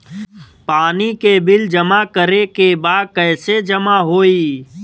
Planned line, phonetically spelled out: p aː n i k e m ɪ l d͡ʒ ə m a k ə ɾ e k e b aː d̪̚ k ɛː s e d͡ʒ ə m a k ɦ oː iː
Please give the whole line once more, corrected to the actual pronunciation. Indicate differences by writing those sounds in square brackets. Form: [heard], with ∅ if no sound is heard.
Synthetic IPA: p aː n i k e [b] ɪ l d͡ʒ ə m a k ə ɾ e k e b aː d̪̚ k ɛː s e d͡ʒ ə m a [∅] ɦ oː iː